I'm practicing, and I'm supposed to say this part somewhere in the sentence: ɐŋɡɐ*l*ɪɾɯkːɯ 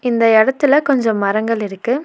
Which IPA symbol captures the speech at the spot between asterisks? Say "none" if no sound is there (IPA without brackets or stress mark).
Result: ɭ